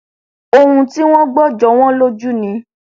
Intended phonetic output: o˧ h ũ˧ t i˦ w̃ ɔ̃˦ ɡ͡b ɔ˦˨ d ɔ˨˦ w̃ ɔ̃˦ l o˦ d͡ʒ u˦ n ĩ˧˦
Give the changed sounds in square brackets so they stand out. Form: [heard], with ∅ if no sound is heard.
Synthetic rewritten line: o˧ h ũ˧ t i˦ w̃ ɔ̃˦ ɡ͡b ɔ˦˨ [d͡ʒ] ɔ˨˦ w̃ ɔ̃˦ l o˦ d͡ʒ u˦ n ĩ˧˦